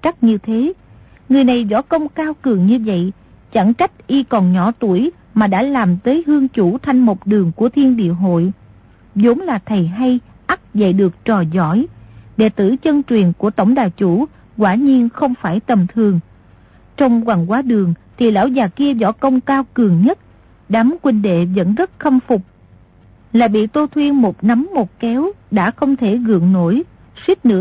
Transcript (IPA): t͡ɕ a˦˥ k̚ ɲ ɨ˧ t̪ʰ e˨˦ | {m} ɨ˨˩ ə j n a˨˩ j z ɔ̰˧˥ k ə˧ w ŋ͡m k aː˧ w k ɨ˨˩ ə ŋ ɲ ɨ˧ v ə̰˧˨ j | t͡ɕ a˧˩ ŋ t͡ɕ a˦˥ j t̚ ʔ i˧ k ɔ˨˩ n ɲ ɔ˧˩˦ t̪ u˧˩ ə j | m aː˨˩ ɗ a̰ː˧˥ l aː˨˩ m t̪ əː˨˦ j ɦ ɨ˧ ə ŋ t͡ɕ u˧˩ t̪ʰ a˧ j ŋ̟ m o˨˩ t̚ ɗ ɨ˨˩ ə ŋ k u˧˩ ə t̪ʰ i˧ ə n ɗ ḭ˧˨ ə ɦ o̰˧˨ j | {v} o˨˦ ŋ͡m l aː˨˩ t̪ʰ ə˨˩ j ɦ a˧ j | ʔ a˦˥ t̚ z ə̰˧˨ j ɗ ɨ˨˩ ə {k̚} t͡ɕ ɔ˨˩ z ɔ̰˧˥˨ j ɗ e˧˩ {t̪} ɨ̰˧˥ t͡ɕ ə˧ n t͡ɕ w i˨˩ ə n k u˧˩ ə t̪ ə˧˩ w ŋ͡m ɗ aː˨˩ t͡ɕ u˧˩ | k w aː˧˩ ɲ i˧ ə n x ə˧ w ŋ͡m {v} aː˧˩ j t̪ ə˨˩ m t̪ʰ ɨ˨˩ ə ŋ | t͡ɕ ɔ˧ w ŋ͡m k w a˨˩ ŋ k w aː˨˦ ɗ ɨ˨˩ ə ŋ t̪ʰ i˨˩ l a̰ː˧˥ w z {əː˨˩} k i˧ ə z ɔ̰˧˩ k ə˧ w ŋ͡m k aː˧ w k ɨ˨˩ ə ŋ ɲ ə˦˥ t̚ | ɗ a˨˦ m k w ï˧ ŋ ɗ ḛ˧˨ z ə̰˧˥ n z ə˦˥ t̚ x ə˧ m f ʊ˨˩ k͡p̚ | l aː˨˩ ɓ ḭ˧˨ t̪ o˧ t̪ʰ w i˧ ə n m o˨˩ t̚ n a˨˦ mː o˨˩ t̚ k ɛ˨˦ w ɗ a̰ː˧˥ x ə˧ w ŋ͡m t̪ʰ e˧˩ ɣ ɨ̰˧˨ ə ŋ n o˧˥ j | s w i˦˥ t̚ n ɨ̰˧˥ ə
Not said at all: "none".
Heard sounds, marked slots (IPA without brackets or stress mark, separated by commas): ŋ, z, k̚, t̪, f, aː˨˩